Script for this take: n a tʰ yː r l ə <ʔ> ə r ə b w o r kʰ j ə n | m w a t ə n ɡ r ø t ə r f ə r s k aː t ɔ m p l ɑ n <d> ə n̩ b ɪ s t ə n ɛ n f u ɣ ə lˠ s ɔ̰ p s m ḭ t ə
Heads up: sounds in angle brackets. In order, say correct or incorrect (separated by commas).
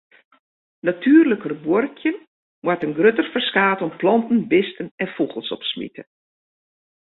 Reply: incorrect, incorrect